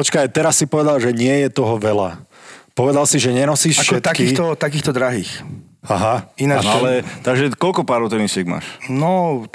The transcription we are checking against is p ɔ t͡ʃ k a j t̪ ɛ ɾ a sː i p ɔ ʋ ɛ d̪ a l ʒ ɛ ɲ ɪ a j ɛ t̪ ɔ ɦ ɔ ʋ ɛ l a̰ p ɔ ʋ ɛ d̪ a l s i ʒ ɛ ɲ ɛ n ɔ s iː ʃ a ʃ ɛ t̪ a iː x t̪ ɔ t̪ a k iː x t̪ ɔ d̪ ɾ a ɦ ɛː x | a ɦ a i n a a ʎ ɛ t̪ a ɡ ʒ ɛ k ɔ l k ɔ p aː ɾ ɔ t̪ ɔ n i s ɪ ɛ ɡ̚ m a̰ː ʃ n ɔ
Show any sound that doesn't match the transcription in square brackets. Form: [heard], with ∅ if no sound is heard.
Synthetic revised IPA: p ɔ t͡ʃ k a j t̪ ɛ ɾ a sː i p ɔ ʋ ɛ d̪ a l ʒ ɛ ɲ ɪ [ɛ] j ɛ t̪ ɔ ɦ ɔ ʋ ɛ l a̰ p ɔ ʋ ɛ d̪ a l s i ʒ ɛ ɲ ɛ n ɔ s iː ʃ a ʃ ɛ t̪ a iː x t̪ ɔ t̪ a k iː x t̪ ɔ d̪ ɾ a ɦ [iː] x | a ɦ a i n a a [l] ɛ t̪ a ɡ ʒ ɛ k ɔ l k ɔ p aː ɾ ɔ t̪ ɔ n i s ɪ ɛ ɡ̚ m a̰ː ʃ n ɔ